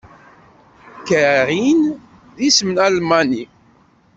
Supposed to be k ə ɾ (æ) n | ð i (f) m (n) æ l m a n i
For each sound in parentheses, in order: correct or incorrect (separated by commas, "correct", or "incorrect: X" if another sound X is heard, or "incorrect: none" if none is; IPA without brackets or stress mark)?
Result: incorrect: i, incorrect: s, correct